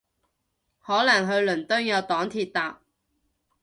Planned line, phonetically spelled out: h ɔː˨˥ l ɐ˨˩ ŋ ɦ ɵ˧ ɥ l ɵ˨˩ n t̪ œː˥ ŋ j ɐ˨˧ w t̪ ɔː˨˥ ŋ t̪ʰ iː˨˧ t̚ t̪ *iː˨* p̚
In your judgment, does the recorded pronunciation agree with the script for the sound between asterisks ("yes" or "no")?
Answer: no